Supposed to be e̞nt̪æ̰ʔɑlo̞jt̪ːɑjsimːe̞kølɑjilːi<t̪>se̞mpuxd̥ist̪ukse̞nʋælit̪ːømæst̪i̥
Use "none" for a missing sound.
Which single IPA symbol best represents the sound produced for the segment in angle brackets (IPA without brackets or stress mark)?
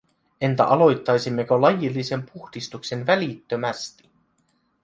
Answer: none